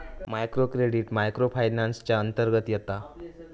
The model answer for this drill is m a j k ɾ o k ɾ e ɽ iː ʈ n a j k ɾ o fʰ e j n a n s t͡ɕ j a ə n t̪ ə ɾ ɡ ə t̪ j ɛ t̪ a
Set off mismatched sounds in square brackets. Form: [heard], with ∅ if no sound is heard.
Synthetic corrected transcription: m a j k ɾ o k ɾ e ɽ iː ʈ [m] a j k ɾ o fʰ [a] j n a n s t͡ɕ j a ə n t̪ ə ɾ ɡ ə t̪ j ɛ t̪ a